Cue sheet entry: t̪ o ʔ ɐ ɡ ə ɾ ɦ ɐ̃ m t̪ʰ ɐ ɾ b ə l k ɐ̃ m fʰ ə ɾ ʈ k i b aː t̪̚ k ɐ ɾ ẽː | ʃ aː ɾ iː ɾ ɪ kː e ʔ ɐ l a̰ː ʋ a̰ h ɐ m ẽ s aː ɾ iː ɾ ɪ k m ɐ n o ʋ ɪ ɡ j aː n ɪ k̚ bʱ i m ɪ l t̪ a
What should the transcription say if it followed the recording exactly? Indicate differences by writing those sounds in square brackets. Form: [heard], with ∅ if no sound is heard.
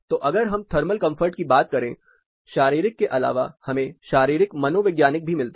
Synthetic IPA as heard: t̪ o ʔ ɐ ɡ ə ɾ ɦ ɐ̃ m t̪ʰ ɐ ɾ [m] ə l k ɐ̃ m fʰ ə ɾ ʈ k i b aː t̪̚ k ɐ ɾ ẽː | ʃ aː ɾ iː ɾ ɪ kː e ʔ ɐ l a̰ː ʋ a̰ h ɐ m ẽ [ʃ] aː ɾ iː ɾ ɪ k m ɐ n o ʋ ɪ ɡ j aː n ɪ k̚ bʱ i m ɪ l t̪ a